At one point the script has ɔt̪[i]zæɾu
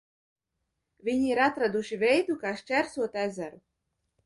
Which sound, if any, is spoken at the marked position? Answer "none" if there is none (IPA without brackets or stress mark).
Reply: æ